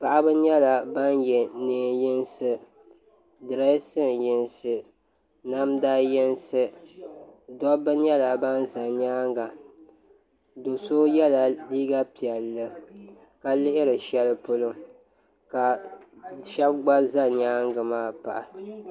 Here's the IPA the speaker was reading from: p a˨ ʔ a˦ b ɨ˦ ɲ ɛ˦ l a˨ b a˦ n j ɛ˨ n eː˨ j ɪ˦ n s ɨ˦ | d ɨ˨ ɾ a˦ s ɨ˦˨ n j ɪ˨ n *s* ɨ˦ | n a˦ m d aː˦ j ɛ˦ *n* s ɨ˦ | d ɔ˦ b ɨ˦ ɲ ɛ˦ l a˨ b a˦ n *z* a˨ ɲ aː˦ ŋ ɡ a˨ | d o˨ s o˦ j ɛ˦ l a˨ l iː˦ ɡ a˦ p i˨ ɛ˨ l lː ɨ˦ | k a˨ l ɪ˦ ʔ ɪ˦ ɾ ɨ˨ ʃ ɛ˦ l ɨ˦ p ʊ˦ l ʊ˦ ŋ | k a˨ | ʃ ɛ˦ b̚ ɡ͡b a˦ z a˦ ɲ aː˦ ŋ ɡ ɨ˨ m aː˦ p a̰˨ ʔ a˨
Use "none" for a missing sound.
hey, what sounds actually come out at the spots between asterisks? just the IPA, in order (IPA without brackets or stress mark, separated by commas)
s, n, z